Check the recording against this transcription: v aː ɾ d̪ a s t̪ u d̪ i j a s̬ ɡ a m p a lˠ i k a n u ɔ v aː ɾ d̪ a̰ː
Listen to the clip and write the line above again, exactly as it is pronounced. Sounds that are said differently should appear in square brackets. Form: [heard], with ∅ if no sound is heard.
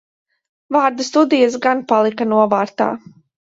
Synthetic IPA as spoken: v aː ɾ d̪ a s t̪ u d̪ i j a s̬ ɡ a [n] p a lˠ i k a n u ɔ v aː ɾ [t̪] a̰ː